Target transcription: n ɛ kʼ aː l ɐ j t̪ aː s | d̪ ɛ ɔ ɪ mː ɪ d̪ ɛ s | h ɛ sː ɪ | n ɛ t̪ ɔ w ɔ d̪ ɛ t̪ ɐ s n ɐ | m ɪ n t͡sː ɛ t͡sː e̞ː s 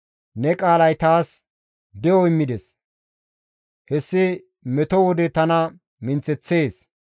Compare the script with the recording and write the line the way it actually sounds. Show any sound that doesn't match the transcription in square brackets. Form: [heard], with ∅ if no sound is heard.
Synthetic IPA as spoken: n ɛ kʼ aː l ɐ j t̪ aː s | d̪ ɛ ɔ ɪ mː ɪ d̪ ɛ s | h ɛ sː ɪ | [m] ɛ t̪ ɔ w ɔ d̪ ɛ t̪ ɐ [∅] n ɐ | m ɪ n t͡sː ɛ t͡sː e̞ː s